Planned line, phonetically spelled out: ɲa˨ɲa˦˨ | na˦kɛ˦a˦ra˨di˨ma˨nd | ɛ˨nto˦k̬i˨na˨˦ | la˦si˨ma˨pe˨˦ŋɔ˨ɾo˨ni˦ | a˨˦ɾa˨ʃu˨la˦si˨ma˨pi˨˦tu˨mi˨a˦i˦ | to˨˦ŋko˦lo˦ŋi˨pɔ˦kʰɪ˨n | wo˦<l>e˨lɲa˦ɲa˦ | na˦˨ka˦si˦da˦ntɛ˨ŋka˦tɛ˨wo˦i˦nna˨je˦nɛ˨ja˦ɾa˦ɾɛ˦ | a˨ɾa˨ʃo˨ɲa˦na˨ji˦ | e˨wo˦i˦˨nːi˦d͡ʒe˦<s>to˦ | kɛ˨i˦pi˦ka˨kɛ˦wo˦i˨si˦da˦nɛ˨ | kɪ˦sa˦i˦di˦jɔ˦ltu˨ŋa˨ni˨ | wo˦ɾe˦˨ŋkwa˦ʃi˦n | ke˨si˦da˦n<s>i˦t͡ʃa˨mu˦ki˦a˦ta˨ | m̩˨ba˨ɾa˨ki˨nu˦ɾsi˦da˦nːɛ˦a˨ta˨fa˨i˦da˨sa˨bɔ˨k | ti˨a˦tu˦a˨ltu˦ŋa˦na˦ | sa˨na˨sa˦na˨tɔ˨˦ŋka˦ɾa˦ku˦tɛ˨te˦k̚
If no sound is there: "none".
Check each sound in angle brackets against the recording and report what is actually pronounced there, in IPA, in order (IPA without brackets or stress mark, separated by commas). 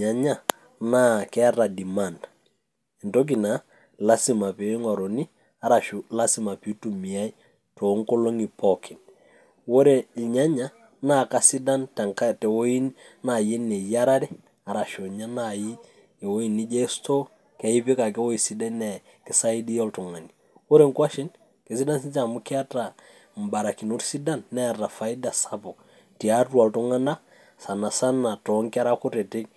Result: ɾ, s, s